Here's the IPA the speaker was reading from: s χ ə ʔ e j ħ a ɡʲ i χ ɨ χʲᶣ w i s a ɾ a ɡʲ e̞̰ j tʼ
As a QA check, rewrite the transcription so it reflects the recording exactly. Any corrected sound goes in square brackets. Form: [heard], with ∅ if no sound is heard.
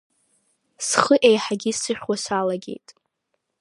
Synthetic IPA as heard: s χ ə ʔ e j ħ a ɡʲ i [s] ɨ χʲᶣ w [a] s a [l] a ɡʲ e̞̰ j tʼ